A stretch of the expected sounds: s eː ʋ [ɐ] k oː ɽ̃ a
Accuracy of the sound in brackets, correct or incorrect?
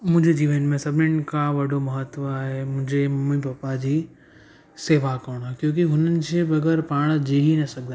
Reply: incorrect: a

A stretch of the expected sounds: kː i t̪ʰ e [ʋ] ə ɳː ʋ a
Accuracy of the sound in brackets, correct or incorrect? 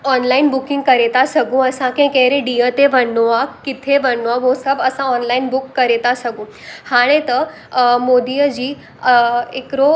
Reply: correct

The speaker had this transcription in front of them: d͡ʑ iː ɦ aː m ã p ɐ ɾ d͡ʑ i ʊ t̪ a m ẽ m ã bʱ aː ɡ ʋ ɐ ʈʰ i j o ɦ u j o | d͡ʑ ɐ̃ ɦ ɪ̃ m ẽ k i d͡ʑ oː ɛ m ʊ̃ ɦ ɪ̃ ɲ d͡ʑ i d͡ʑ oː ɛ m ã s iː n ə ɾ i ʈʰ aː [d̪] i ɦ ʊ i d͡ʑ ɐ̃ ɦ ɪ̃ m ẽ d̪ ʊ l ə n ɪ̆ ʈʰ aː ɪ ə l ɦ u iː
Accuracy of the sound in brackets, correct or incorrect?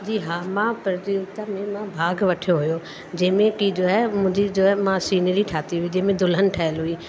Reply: incorrect: t̪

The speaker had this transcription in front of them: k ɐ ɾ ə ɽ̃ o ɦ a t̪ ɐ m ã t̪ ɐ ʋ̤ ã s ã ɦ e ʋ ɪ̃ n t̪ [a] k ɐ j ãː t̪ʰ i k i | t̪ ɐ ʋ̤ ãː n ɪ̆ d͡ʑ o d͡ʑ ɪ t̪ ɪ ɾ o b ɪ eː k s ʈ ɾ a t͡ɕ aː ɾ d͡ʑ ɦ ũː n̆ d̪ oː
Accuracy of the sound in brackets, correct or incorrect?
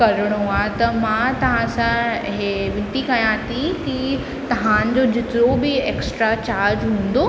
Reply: incorrect: i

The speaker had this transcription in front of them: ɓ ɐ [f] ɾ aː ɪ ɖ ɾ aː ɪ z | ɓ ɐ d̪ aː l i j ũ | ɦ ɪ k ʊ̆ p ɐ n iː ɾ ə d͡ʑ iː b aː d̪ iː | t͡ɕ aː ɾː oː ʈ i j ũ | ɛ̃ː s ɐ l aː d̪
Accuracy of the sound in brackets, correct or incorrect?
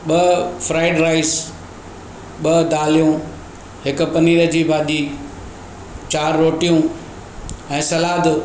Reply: correct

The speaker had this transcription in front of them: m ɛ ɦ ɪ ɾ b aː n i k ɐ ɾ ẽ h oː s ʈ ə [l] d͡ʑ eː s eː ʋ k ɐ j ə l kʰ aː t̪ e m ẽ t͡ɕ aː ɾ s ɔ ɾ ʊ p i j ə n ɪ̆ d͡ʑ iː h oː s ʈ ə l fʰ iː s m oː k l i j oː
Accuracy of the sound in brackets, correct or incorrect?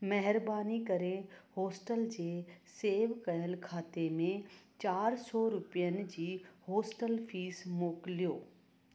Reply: correct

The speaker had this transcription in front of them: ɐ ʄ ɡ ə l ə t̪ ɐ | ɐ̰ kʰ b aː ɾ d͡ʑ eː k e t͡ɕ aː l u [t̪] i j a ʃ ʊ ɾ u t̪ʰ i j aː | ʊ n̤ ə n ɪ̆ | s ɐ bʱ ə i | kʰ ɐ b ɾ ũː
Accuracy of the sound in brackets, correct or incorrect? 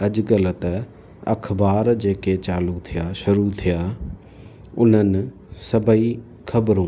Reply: incorrect: t̪ʰ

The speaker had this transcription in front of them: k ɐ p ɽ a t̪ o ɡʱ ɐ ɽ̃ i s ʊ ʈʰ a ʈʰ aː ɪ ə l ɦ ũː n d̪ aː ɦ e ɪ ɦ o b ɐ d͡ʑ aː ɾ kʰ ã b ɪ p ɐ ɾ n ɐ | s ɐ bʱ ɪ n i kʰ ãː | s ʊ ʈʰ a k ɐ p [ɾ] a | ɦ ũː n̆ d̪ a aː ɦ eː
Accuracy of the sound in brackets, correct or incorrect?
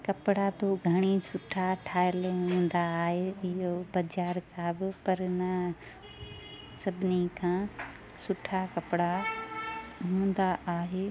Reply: incorrect: ɽ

